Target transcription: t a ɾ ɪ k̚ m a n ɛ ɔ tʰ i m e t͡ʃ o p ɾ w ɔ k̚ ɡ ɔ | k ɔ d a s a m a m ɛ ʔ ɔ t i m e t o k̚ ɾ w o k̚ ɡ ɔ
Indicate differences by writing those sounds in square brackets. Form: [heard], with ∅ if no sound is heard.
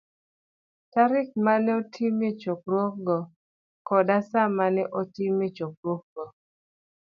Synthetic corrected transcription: t a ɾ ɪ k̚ m a n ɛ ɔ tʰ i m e t͡ʃ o [k] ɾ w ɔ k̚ ɡ ɔ | k ɔ d a s a m a [n] ɛ ʔ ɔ t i m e [t͡ʃ] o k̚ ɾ w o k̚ ɡ ɔ